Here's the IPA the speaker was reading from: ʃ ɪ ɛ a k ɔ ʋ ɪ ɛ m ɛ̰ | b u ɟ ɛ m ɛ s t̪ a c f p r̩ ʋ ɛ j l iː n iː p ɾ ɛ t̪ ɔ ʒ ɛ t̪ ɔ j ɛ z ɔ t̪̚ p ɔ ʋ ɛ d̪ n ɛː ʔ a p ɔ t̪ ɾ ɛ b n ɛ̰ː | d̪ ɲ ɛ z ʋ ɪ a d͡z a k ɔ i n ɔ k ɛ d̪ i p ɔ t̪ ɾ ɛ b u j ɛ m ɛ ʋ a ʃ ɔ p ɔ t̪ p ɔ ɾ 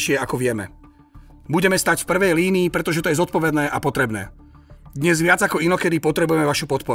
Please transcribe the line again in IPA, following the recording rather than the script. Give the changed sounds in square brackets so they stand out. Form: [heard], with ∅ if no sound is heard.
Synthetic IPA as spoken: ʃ ɪ ɛ a k ɔ ʋ ɪ ɛ m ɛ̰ | b u ɟ ɛ m ɛ s t̪ a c f p r̩ ʋ ɛ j l iː n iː p ɾ ɛ t̪ ɔ ʒ ɛ t̪ ɔ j ɛ z ɔ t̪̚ p ɔ ʋ ɛ d̪ n ɛː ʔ a p ɔ t̪ ɾ ɛ b n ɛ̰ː | d̪ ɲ ɛ z ʋ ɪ a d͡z a k ɔ i n ɔ k ɛ d̪ i p ɔ t̪ ɾ ɛ b u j ɛ m ɛ ʋ a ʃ [u] p ɔ t̪ p ɔ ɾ